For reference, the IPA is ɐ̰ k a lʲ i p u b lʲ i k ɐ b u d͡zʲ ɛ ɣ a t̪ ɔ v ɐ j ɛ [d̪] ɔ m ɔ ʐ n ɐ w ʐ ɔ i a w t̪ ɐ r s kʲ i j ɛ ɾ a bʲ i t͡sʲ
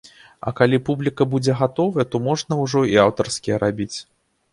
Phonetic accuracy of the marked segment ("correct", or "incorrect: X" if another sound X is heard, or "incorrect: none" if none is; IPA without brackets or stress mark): incorrect: t̪